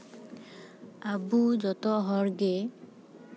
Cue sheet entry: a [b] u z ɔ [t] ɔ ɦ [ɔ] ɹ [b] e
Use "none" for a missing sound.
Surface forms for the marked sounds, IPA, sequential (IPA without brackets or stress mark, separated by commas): b, t, ɔ, ɡ